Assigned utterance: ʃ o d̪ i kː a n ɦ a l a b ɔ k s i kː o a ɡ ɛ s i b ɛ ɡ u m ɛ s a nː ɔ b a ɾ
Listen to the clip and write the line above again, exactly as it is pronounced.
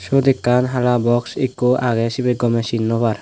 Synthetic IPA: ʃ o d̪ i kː a n ɦ a l a b ɔ k s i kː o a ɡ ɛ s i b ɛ ɡ ɔ m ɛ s i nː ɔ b a ɾ